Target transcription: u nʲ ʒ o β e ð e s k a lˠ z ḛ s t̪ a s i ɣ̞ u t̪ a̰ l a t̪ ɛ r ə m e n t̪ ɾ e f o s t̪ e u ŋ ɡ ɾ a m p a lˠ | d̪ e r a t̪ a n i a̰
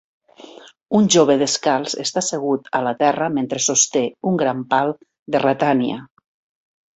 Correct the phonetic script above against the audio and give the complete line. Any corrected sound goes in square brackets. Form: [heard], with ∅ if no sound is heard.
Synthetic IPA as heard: u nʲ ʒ o β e ð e s k a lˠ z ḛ s t̪ a s [e] ɣ̞ u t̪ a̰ l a t̪ ɛ r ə m e n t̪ ɾ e [s] o s t̪ e u ŋ ɡ ɾ a m p a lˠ | d̪ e r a t̪ a n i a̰